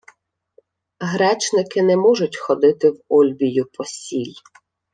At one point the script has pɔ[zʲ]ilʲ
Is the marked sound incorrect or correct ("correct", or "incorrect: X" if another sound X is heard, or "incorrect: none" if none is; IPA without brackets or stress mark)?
incorrect: sʲ